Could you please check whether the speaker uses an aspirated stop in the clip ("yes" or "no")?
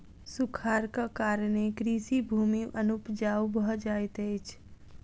yes